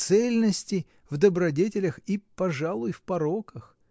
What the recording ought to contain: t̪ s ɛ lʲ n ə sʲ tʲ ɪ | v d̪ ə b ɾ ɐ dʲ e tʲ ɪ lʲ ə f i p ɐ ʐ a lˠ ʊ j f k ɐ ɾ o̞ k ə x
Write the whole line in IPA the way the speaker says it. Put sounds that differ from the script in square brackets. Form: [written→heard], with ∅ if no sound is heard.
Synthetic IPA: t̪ s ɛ lʲ n ə sʲ tʲ ɪ | v d̪ ə b ɾ ɐ dʲ e tʲ ɪ lʲ ə [f→x] i p ɐ ʐ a lˠ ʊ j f [k→p] ɐ ɾ o̞ k ə x